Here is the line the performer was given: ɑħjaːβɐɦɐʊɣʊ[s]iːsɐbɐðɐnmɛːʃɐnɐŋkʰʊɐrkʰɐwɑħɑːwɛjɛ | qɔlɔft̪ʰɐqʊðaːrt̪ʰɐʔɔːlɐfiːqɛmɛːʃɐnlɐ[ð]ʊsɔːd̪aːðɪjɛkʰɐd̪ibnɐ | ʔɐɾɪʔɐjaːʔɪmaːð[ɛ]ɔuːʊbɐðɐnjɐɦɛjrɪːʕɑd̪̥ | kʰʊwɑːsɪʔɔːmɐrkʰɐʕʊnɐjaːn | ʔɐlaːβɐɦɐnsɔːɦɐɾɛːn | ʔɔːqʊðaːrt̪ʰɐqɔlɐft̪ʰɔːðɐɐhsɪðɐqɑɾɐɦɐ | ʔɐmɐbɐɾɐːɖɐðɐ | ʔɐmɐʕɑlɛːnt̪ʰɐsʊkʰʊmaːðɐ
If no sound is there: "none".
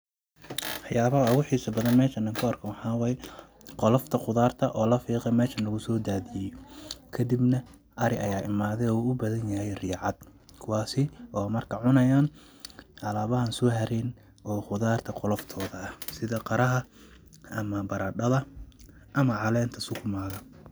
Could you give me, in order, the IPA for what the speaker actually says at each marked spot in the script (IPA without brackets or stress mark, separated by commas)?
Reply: ħ, ɣ, ɛ